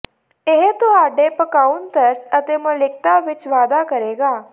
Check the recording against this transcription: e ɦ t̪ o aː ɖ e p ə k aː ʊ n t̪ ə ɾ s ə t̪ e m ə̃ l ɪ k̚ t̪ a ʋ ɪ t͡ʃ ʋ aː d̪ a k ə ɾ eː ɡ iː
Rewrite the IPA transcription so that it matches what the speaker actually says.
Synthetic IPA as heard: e ɦ t̪ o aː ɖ e p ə k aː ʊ n t̪ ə ɾ s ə t̪ e m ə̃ l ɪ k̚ t̪ a ʋ ɪ t͡ʃ ʋ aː d̪ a k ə ɾ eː ɡ aː